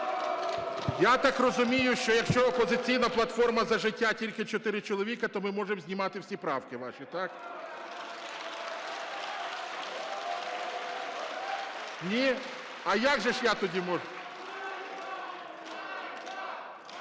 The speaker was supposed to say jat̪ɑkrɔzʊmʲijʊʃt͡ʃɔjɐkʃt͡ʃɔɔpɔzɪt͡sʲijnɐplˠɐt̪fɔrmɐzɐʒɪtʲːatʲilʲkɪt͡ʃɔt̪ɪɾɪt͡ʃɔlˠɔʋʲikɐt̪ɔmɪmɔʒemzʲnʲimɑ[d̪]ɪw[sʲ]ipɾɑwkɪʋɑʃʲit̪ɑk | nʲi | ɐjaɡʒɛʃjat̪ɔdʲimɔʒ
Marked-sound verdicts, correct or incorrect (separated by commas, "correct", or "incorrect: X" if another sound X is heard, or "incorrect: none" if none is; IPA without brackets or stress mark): incorrect: t̪, correct